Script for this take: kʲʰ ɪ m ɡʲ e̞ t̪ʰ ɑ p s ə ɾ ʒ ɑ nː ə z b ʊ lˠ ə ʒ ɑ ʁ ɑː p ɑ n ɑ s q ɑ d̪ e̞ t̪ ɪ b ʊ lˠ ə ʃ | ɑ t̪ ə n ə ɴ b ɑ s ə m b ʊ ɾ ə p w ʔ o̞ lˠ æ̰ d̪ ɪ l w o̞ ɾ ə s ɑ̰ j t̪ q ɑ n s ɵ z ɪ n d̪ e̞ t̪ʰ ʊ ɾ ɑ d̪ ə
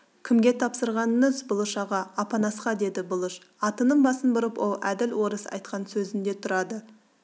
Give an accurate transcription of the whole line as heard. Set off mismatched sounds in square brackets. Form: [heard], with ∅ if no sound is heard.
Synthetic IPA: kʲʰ ɪ m ɡʲ e̞ t̪ʰ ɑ p s ə ɾ [ʁ] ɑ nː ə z b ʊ lˠ ə [ʃ] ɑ ʁ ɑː p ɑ n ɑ s q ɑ d̪ e̞ [d̪] ɪ b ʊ lˠ ə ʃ | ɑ t̪ ə n ə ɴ b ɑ s ə [n] b ʊ ɾ ə p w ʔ o̞ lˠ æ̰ d̪ ɪ l w o̞ ɾ ə s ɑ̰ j t̪ q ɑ n s ɵ z ɪ n d̪ e̞ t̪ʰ ʊ ɾ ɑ d̪ ə